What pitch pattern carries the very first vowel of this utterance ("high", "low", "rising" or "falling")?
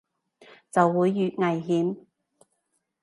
low